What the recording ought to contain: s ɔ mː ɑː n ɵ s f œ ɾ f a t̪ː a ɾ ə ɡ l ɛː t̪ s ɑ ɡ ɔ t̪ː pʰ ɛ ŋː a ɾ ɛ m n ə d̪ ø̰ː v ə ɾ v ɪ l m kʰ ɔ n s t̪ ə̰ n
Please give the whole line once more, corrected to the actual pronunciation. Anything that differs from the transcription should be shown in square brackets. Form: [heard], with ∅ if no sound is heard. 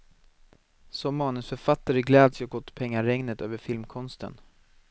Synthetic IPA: s ɔ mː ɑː n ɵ s f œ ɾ f a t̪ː a ɾ ə ɡ l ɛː [d̪] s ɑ ɡ ɔ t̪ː pʰ ɛ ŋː a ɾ ɛ [ŋ] n ə [t̪] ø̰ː v ə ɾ [f] ɪ l m kʰ ɔ n s t̪ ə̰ n

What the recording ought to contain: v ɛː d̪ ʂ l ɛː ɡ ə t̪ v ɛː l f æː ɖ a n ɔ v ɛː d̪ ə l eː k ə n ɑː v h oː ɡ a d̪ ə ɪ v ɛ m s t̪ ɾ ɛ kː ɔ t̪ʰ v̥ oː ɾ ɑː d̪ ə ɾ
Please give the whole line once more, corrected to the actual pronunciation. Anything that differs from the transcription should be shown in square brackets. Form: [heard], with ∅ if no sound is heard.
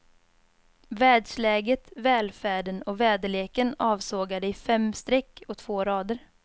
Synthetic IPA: v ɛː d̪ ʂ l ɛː ɡ ə t̪ v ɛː l f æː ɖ [ə] n ɔ v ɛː d̪ ə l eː k ə n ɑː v [s] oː ɡ a d̪ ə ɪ [f] ɛ m s t̪ ɾ ɛ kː ɔ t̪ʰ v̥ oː ɾ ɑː d̪ ə ɾ

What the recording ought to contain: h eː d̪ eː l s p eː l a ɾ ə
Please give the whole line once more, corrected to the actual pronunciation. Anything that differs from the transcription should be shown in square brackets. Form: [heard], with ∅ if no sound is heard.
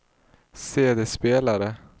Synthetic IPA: [s] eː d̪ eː [∅] s p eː l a ɾ ə

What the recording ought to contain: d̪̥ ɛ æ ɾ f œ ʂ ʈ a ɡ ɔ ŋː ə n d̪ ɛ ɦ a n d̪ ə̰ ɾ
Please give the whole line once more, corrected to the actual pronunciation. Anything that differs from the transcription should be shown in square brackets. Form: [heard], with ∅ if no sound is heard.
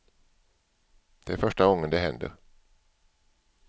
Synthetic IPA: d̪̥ ɛ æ ɾ f œ ʂ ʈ a ɡ ɔ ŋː ə n d̪ ɛ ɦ [ɛ] n d̪ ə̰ ɾ

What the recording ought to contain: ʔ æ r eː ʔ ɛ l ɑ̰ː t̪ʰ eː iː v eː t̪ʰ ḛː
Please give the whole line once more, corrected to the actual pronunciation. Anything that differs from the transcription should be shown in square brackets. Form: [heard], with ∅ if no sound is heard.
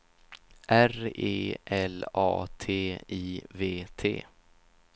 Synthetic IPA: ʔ æ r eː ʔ ɛ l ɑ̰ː t̪ʰ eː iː v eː t̪ʰ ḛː

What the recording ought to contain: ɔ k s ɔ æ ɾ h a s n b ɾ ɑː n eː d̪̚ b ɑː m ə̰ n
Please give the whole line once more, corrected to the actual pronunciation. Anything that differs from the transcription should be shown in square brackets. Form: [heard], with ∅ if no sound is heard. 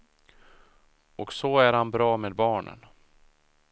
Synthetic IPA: ɔ k s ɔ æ ɾ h a [∅] n b ɾ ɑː [m] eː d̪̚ b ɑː [ɳ] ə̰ n

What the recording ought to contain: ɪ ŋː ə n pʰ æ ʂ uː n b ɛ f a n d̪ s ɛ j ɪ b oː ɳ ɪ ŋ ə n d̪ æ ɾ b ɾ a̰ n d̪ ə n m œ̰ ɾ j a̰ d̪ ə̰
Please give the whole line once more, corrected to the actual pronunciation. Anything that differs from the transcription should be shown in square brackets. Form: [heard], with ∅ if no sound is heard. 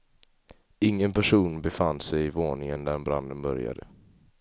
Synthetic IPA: ɪ ŋː ə n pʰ æ ʂ uː n b ɛ f a n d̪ s ɛ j ɪ [v] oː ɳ ɪ ŋ ə n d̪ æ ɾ b ɾ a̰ n d̪ ə n [b] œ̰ ɾ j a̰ d̪ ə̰

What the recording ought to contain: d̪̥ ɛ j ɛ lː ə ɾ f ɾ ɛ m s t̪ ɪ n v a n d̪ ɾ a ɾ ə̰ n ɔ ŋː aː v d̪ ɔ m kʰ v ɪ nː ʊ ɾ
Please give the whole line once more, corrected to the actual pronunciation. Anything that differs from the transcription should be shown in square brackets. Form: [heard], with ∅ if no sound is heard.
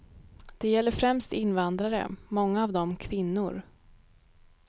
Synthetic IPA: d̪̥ ɛ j ɛ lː ə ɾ f ɾ ɛ m s t̪ ɪ n v a n d̪ ɾ a ɾ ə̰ [m] ɔ ŋː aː v d̪ ɔ m kʰ v ɪ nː ʊ ɾ

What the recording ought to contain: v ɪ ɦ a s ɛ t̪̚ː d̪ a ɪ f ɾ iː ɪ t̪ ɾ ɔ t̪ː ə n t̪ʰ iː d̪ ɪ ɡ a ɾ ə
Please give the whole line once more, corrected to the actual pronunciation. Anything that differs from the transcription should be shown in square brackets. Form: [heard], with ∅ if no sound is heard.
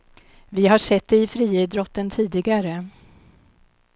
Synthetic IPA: v ɪ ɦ a [ʂ] ɛ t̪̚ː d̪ [ɛ] ɪ f ɾ iː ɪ [d̪] ɾ ɔ t̪ː ə n t̪ʰ iː d̪ ɪ ɡ a ɾ ə

